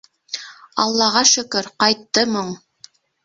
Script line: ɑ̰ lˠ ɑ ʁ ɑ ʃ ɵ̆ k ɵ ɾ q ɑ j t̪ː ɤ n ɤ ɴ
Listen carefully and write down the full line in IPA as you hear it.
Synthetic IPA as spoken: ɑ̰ lˠː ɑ ʁ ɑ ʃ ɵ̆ k ɵ ɾ q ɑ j t̪ː ɤ m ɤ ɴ